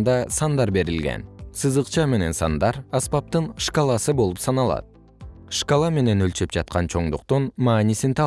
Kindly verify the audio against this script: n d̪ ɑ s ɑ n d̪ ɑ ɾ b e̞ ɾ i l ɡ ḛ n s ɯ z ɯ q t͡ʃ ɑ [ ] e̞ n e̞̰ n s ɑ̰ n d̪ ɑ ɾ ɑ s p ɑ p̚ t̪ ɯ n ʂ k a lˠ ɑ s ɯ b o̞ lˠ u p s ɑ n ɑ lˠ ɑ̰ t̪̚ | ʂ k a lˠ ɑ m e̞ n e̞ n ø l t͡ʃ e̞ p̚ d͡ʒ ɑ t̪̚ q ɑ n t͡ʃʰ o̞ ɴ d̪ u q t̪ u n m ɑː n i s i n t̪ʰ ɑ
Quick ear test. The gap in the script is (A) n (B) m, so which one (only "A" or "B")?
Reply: B